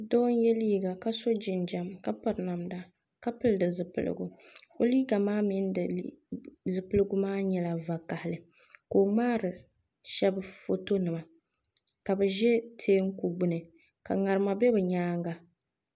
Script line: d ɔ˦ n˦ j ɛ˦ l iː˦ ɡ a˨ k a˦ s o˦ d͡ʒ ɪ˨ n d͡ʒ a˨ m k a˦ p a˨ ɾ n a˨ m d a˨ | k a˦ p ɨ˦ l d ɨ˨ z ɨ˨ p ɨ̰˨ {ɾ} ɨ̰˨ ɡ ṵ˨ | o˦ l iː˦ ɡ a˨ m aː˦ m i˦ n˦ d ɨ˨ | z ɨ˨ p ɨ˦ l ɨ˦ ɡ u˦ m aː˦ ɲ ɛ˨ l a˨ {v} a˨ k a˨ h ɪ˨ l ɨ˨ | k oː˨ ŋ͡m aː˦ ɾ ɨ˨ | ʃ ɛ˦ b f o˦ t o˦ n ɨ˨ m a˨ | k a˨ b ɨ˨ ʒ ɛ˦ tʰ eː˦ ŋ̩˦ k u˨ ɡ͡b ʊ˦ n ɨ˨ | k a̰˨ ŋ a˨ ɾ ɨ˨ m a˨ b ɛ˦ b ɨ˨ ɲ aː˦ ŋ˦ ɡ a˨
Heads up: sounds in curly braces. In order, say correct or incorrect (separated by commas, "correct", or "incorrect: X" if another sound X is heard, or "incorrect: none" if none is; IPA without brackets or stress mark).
incorrect: l, correct